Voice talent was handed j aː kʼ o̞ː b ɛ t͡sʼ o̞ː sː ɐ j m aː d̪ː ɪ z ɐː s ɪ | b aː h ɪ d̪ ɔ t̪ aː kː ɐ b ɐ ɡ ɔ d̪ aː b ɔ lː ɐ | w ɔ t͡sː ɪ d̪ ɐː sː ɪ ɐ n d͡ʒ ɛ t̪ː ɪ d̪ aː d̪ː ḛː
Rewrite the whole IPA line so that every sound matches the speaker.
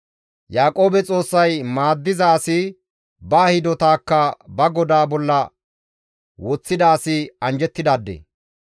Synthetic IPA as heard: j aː kʼ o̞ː b ɛ t͡sʼ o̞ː sː ɐ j m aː d̪ː ɪ z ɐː s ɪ | b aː h ɪ d̪ ɔ t̪ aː kː ɐ b ɐ ɡ ɔ d̪ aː b ɔ lː ɐ | w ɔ t͡sː ɪ d̪ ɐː s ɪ ɐ n d͡ʒ ɛ t̪ː ɪ d̪ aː d̪ː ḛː